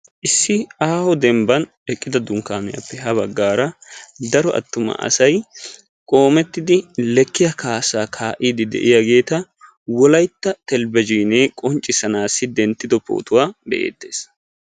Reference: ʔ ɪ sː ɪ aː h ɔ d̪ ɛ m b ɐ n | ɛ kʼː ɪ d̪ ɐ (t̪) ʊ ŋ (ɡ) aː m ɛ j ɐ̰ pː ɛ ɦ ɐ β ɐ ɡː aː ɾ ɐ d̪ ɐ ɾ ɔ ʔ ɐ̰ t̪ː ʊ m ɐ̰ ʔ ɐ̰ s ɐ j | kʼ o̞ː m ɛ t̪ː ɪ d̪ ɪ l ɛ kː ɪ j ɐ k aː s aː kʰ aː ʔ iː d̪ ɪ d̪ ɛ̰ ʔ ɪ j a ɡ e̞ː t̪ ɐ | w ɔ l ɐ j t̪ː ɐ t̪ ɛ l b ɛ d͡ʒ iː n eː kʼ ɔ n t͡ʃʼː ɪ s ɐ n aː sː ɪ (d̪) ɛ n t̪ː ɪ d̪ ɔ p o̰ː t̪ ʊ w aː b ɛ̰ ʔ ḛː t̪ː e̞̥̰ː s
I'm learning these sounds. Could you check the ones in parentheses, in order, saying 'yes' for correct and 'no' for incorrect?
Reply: no, no, yes

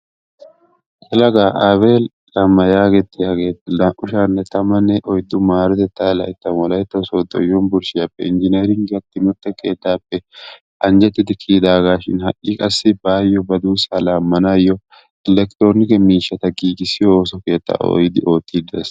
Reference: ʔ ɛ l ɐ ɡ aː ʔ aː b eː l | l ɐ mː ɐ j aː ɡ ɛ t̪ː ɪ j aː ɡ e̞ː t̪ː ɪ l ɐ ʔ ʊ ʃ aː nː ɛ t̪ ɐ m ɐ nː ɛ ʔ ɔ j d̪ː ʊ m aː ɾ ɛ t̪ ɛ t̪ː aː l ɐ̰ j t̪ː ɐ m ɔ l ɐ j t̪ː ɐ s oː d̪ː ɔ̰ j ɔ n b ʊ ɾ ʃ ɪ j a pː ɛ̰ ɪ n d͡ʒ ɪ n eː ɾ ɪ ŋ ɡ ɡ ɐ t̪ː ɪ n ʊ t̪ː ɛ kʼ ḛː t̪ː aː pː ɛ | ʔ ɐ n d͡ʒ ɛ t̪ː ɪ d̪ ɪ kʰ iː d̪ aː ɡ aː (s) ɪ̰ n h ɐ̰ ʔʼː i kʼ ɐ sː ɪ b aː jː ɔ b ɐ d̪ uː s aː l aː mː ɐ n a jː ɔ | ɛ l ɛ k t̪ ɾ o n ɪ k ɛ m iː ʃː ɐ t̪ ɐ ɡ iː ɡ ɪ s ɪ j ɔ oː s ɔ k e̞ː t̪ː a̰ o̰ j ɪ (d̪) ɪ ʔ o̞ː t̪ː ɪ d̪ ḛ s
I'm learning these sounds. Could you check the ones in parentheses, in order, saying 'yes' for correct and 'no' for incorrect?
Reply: no, yes

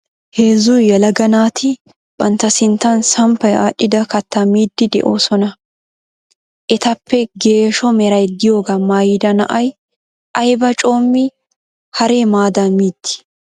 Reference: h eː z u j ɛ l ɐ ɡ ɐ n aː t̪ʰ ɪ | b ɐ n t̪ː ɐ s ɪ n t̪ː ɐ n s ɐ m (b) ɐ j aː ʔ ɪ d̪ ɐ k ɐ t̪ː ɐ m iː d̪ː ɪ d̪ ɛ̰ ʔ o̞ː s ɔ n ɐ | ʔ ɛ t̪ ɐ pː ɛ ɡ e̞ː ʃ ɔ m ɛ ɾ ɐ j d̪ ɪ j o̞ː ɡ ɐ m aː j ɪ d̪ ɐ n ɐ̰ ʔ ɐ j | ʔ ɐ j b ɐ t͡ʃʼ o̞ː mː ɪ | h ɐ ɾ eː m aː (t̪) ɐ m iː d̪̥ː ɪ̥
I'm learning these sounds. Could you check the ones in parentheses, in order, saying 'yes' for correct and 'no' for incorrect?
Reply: no, no

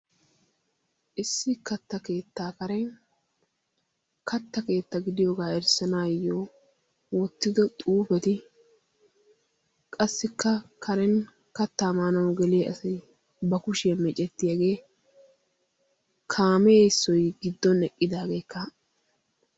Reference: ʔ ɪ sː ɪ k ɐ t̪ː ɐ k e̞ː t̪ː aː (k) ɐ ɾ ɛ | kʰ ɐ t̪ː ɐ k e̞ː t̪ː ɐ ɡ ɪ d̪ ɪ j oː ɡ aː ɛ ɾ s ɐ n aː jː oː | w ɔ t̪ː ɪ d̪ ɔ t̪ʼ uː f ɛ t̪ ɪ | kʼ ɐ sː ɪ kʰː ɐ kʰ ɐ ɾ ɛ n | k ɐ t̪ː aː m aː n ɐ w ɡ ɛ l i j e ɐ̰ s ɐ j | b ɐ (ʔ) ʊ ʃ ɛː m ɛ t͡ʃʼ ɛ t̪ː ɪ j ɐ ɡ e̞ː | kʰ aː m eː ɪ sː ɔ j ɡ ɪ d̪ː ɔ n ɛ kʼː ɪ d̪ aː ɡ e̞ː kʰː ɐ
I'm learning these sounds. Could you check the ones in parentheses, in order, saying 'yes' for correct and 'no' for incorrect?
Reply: yes, no

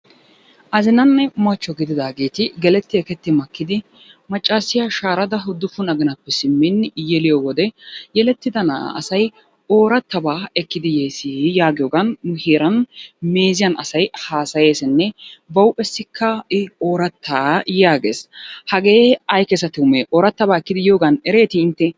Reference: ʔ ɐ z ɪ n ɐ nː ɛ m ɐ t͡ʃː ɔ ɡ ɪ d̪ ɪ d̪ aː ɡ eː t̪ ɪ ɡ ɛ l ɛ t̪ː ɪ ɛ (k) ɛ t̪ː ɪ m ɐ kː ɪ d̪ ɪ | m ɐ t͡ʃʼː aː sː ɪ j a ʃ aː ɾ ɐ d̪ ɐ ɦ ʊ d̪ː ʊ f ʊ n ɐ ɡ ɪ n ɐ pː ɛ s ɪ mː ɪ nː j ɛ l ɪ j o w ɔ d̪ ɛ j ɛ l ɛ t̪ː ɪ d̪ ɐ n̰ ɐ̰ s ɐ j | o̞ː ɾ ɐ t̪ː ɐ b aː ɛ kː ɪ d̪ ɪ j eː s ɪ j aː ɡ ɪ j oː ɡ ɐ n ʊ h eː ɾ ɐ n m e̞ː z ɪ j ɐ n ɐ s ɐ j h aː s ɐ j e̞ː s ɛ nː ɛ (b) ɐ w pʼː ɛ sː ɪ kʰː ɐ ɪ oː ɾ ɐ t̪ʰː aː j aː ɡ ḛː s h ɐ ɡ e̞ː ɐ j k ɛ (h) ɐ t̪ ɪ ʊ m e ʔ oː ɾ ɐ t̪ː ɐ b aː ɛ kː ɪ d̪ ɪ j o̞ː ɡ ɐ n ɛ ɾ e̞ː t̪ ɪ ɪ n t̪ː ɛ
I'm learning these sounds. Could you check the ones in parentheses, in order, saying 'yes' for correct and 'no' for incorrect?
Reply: yes, yes, no

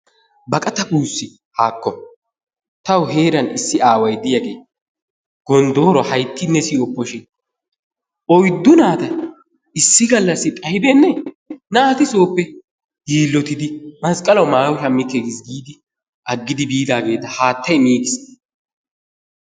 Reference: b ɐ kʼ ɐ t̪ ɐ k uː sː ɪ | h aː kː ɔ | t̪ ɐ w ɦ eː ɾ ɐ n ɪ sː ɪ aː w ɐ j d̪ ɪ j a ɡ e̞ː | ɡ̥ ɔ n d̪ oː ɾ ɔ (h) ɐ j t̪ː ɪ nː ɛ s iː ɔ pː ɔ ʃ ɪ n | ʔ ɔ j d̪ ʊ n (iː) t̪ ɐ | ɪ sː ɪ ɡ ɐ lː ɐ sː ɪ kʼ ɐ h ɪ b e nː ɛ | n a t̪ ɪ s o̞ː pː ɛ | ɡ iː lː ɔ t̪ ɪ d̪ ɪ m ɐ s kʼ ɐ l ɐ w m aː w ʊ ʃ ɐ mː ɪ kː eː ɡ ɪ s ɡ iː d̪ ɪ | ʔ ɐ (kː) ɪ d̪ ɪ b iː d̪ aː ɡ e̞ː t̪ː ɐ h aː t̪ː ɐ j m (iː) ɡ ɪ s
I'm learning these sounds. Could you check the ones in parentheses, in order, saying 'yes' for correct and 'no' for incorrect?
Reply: yes, no, no, yes

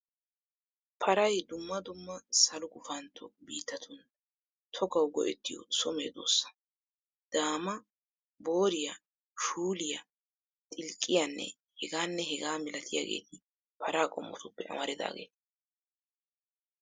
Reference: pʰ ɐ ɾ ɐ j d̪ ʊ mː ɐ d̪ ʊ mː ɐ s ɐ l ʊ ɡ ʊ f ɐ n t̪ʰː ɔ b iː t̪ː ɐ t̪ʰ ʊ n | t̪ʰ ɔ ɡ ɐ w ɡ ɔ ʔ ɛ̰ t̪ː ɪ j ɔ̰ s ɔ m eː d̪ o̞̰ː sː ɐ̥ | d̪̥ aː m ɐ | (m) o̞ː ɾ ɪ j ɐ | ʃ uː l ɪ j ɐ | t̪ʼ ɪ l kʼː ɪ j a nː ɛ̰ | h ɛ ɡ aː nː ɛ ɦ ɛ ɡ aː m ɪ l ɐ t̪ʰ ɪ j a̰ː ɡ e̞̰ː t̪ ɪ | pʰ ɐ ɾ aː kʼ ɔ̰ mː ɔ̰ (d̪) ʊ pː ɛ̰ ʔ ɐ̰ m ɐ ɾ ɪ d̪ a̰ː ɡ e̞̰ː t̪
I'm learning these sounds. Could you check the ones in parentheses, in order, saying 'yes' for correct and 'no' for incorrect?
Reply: no, no

